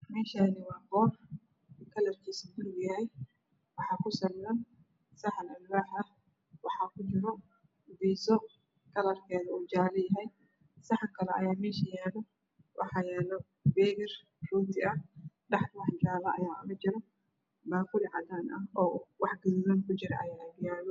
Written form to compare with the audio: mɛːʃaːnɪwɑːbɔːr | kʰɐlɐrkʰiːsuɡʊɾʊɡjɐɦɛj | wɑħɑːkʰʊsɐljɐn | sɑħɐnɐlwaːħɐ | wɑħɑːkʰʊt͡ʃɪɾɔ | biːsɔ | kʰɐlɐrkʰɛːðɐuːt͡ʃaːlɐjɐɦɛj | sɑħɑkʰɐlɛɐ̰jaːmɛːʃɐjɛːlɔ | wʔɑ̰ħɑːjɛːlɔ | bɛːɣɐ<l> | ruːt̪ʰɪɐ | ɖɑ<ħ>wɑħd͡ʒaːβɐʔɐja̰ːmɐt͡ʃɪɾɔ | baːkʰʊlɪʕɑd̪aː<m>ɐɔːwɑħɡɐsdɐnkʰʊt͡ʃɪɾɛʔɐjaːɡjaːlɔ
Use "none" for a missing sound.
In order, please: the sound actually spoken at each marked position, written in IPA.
r, ħ, n

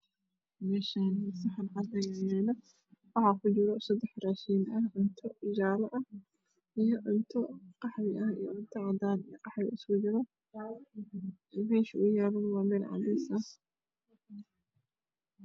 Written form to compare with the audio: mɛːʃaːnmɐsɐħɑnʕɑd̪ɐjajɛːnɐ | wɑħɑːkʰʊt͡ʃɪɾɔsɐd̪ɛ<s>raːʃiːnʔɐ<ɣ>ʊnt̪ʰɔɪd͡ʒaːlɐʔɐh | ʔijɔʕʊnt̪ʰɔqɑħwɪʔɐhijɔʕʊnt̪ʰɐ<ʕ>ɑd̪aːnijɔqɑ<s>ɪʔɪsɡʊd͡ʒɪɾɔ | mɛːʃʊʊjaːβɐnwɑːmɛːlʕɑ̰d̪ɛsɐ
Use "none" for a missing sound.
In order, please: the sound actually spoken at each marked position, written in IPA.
ħ, ʕ, ʕ, ħ

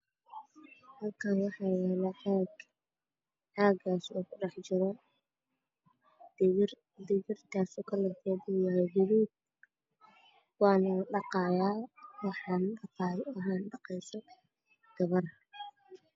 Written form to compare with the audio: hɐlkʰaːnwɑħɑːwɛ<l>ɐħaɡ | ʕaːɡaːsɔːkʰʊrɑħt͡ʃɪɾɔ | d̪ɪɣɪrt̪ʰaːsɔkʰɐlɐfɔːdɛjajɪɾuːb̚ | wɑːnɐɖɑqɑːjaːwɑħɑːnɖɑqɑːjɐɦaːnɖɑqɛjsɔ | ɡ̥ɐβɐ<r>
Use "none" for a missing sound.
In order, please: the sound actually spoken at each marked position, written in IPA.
l, r

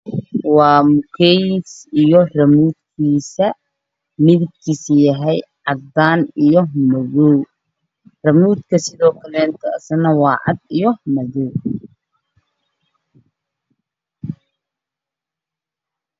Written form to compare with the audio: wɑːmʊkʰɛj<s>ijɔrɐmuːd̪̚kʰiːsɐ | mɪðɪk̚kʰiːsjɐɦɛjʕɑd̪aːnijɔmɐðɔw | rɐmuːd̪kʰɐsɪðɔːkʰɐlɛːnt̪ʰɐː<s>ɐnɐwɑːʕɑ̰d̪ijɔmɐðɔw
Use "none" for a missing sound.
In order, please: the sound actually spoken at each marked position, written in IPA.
s, s

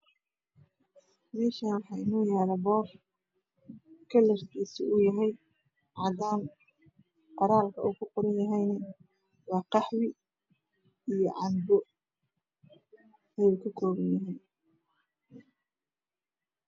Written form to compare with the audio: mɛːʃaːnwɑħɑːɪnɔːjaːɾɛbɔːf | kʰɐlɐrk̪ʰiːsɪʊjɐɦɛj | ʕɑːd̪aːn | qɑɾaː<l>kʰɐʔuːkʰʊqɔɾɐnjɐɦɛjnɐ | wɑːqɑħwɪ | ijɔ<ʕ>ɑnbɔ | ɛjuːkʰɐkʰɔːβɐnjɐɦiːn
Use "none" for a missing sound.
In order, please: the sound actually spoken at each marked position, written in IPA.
l, ʕ

